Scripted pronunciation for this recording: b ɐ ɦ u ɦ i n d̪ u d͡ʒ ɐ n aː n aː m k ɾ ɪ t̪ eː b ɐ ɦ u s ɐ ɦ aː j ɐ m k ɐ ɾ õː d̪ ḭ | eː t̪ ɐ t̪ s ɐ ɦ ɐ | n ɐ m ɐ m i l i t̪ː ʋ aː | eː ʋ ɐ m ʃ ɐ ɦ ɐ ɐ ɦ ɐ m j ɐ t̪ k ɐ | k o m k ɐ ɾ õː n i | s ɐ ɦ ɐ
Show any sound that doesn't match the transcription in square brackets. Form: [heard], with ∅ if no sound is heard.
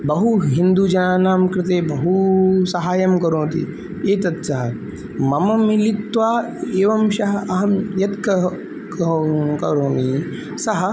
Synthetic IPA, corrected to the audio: b ɐ ɦ u ɦ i n d̪ u d͡ʒ ɐ n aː n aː m k ɾ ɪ t̪ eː b ɐ ɦ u s ɐ ɦ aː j ɐ m k ɐ ɾ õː [t̪] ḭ | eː t̪ ɐ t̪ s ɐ ɦ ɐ | [m] ɐ m ɐ m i l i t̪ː ʋ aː | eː ʋ ɐ m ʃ ɐ ɦ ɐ ɐ ɦ ɐ m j ɐ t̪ k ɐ | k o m k ɐ ɾ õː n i | s ɐ ɦ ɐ